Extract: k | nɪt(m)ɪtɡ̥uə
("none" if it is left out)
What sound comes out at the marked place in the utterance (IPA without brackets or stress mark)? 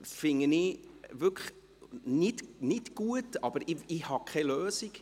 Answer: n